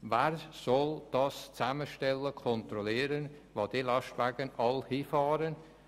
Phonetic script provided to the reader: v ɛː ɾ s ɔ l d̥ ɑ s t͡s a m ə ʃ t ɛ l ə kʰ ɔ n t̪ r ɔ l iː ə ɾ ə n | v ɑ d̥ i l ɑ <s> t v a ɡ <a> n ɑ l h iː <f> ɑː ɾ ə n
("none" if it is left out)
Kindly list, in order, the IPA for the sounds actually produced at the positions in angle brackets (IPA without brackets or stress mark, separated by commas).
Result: ʃ, ə, f